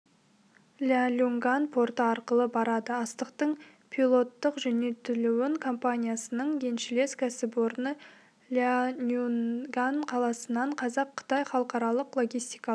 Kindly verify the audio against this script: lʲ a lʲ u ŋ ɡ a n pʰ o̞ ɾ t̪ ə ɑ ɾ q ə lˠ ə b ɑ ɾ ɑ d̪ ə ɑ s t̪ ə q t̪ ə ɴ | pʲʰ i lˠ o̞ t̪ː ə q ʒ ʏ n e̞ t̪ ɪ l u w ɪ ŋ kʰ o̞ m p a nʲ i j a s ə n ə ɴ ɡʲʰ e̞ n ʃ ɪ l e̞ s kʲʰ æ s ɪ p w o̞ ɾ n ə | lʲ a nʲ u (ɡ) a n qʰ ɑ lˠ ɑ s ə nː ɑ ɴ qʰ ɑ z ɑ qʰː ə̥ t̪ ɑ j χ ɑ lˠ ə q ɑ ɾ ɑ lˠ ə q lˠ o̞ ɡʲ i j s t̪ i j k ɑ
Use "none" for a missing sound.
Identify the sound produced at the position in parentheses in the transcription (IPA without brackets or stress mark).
ɡ